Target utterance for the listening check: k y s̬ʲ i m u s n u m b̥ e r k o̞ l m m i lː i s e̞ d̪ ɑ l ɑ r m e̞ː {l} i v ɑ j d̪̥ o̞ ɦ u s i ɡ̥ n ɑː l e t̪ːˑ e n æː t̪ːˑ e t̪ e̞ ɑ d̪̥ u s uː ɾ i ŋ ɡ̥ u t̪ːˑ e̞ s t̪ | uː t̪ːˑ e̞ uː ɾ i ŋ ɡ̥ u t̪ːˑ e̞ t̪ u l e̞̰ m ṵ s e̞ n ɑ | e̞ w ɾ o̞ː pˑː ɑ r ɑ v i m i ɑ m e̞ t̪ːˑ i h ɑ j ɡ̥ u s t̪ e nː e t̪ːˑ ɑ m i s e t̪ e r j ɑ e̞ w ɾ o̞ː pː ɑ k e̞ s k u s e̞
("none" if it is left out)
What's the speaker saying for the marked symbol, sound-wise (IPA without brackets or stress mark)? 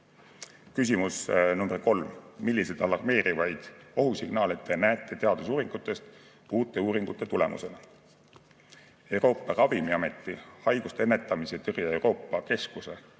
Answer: ɾ